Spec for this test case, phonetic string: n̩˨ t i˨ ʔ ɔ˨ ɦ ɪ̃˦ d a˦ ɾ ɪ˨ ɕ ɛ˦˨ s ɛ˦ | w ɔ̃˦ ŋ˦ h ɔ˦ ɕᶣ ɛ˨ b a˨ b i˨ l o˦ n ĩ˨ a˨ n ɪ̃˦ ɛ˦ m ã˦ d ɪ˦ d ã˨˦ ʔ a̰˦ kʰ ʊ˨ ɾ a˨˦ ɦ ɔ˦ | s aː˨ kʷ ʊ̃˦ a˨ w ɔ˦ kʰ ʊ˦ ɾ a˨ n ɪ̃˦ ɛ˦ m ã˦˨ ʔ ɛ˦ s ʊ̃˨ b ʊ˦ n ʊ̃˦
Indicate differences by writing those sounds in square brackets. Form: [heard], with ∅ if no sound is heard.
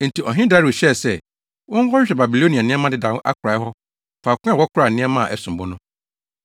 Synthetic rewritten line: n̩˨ t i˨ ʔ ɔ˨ ɦ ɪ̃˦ d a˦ ɾ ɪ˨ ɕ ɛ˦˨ s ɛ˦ | w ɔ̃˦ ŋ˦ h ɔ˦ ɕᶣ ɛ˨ b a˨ b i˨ l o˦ n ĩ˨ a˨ n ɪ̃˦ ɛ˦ m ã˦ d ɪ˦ d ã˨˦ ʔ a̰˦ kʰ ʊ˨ ɾ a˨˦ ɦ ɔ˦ | [f] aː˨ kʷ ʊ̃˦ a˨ w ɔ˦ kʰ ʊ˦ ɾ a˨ n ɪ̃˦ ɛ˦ m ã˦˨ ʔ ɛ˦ s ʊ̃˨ b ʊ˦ n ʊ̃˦